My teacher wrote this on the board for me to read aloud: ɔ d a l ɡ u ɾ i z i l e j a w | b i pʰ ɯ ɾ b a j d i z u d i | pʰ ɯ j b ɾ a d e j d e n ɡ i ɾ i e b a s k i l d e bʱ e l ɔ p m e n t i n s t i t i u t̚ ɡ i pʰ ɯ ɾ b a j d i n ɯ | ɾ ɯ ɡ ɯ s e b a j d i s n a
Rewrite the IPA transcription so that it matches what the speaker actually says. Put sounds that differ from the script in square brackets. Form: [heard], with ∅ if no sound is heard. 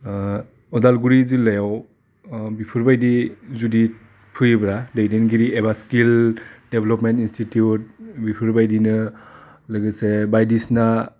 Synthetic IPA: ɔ d a l ɡ u ɾ i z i l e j a w | b i pʰ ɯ ɾ b a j d i z u d i | pʰ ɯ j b ɾ a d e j d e n ɡ i ɾ i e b a s k i l d e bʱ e l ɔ p m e n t i n s t i t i u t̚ [b] i pʰ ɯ ɾ b a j d i n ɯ | [l] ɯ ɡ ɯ s e b a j d i s n a